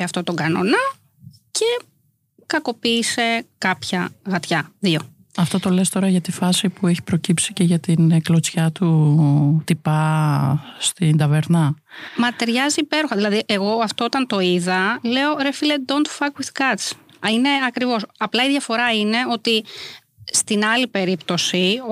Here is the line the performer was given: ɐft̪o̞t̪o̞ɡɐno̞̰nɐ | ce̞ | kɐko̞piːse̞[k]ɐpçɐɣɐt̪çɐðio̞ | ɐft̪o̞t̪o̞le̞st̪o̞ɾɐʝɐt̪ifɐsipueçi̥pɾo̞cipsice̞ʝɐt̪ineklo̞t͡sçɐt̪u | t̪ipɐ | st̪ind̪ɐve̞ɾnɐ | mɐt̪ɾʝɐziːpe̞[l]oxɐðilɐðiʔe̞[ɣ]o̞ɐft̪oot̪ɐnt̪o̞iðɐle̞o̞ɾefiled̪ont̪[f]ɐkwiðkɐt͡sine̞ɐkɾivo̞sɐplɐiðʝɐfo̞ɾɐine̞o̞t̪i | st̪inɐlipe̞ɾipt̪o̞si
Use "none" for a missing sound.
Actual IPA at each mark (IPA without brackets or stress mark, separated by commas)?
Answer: k, ɾ, ɣ, f